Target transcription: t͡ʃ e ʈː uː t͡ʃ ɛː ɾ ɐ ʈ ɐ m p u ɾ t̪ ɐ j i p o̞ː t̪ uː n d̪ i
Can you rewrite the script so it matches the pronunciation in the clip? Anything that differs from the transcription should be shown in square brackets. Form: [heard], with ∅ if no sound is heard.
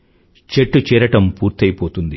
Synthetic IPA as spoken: t͡ʃ e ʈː [u] t͡ʃ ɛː ɾ ɐ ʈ ɐ m p [uː] ɾ t̪ ɐ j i p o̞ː t̪ [u] n d̪ i